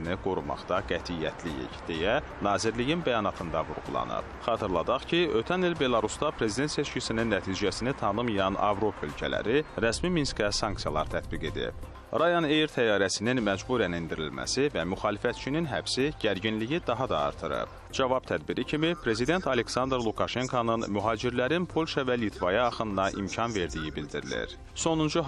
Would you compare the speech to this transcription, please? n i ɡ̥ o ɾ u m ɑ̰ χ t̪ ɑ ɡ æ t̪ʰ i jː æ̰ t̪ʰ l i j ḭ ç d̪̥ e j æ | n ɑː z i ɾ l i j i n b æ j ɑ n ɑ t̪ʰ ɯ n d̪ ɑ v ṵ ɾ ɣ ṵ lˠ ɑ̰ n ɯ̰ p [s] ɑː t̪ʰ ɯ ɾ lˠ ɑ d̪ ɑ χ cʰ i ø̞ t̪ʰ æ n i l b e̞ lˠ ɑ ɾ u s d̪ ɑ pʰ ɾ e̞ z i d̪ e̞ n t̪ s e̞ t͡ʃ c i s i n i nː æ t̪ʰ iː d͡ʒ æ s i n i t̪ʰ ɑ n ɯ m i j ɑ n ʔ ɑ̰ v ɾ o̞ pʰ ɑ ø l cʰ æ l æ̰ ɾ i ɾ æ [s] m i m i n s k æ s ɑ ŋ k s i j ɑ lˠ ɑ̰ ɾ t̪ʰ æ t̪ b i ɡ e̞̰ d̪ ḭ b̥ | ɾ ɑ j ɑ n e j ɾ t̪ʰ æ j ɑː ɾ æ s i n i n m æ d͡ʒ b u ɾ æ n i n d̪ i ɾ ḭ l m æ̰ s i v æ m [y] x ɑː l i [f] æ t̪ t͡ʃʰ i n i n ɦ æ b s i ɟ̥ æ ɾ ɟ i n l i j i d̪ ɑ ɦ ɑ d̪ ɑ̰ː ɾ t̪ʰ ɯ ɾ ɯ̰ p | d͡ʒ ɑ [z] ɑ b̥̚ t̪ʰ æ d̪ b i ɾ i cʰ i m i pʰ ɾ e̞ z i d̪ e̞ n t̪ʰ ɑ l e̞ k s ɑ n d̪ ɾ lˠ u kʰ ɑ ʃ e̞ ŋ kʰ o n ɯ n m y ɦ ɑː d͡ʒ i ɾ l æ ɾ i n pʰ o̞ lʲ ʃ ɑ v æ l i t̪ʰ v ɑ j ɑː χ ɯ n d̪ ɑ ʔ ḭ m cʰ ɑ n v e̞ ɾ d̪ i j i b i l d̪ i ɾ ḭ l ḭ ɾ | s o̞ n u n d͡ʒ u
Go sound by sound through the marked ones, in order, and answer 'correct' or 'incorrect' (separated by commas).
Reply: incorrect, correct, correct, correct, incorrect